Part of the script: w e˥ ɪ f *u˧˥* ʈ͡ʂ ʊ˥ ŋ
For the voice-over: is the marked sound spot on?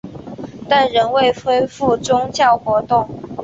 no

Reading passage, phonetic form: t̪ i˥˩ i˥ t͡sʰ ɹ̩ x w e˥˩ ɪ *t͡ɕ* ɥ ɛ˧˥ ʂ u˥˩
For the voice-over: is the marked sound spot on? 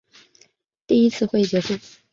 yes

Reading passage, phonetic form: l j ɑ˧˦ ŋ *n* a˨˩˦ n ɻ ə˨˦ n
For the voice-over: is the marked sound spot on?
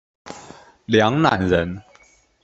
yes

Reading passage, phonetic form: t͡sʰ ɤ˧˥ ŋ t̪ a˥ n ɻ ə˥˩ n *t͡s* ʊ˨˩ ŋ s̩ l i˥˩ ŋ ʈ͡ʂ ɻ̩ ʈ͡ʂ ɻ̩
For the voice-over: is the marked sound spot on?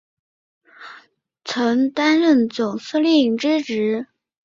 yes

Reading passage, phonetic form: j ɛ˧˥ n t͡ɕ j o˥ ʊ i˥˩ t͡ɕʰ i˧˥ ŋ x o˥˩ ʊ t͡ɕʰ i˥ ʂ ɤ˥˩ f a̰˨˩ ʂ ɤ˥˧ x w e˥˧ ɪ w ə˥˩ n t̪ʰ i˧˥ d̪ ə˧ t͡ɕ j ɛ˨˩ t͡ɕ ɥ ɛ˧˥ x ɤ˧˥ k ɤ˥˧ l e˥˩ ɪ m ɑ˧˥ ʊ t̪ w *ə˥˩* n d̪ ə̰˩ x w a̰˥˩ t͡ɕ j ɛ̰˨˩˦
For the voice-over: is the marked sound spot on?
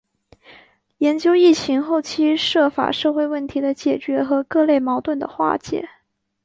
yes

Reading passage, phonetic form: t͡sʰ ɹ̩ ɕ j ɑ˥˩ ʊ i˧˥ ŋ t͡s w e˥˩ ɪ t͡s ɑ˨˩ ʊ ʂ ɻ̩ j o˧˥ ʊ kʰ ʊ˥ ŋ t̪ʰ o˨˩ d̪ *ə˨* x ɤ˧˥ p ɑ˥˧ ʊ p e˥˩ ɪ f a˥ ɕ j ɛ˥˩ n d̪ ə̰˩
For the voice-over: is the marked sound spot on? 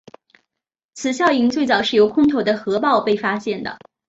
no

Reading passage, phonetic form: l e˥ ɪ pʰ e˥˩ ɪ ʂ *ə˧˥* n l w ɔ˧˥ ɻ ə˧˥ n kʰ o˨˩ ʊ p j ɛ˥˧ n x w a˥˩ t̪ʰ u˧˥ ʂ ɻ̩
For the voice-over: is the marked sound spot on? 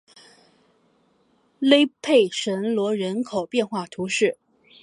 yes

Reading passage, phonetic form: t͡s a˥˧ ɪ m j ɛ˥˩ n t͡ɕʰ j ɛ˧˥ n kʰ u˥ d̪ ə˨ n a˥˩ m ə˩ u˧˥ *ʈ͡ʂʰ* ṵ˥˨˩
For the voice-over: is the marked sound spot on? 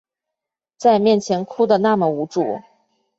no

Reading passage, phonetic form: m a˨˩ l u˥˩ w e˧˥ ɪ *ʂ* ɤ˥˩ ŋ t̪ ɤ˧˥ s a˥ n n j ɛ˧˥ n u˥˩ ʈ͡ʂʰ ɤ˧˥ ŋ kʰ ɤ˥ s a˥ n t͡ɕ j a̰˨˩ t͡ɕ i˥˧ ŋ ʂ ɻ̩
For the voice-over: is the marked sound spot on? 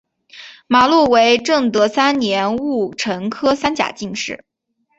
no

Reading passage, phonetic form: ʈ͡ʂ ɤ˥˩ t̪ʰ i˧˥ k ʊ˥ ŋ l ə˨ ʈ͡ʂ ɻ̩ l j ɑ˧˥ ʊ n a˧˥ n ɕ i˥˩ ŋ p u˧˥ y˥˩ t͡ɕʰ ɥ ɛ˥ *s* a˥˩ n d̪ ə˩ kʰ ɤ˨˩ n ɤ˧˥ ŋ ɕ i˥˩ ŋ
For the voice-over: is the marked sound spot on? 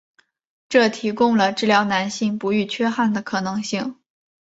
no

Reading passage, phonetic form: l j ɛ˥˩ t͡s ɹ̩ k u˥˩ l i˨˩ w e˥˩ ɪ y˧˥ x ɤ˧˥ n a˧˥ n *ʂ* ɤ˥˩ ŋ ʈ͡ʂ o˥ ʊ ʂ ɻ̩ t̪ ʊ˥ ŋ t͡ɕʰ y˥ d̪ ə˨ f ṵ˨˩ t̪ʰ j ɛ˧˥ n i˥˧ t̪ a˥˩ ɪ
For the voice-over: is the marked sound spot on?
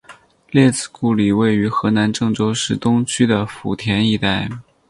no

